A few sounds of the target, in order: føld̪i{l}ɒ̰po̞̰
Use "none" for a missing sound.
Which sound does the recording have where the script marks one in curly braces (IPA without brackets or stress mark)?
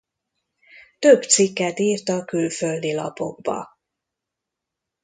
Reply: l